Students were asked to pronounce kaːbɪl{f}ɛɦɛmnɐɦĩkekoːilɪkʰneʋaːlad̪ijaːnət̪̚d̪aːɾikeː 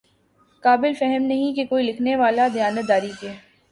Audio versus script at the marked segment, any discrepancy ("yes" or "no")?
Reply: no